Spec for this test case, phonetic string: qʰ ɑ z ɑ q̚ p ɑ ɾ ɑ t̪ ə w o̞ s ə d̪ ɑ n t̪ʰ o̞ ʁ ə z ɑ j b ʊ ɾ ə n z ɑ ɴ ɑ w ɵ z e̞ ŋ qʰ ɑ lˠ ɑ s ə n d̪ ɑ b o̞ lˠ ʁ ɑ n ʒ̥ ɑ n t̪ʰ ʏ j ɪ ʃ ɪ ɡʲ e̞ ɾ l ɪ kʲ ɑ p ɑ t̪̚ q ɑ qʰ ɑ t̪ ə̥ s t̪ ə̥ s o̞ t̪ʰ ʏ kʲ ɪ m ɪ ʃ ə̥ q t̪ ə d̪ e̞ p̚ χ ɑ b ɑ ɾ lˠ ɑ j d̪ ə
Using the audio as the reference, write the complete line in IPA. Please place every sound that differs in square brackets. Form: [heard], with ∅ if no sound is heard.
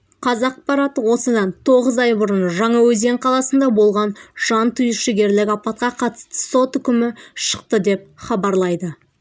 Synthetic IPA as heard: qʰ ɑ z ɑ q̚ p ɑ ɾ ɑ t̪ ə w o̞ s ə d̪ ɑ n t̪ʰ o̞ ʁ ə z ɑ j b ʊ ɾ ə n [ʒ] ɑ ɴ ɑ w ɵ z e̞ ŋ qʰ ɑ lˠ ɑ s ə n d̪ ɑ b o̞ lˠ ʁ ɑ n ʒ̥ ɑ n t̪ʰ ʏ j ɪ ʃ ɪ ɡʲ e̞ ɾ l ɪ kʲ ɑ p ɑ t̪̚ q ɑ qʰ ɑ t̪ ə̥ s t̪ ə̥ s o̞ [t̪] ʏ kʲ ɪ m ɪ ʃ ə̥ q t̪ ə d̪ e̞ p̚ χ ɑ b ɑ ɾ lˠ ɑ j d̪ ə